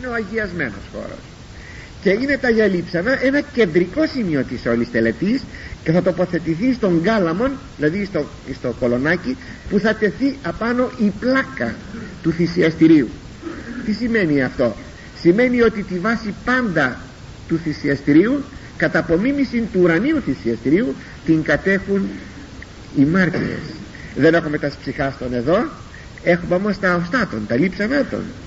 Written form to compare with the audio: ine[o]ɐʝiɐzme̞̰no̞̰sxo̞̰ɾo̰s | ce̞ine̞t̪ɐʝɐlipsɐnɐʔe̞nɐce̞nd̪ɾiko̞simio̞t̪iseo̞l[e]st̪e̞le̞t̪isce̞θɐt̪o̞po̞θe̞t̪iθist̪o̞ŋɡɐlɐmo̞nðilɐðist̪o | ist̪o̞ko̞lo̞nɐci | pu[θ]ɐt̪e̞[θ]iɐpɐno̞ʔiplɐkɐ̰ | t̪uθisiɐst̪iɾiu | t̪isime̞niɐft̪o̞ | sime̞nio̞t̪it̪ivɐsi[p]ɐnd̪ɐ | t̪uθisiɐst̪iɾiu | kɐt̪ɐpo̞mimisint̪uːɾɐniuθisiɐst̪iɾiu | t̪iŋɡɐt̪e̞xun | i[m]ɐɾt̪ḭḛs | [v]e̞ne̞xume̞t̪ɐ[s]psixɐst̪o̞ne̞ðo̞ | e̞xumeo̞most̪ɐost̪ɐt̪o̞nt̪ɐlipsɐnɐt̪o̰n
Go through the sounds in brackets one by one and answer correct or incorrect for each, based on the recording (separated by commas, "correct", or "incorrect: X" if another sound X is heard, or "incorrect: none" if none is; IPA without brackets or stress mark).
correct, incorrect: i, correct, correct, correct, correct, incorrect: ð, correct